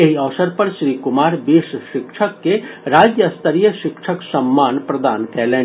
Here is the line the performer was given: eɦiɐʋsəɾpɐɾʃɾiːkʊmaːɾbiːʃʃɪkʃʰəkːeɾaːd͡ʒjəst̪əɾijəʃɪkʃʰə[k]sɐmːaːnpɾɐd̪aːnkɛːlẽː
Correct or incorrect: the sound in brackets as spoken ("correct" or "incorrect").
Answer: correct